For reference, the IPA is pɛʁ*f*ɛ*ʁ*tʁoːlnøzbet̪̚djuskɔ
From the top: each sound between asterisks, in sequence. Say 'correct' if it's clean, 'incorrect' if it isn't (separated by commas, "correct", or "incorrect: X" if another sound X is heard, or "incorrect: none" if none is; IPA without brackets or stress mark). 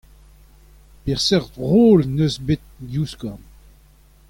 incorrect: s, correct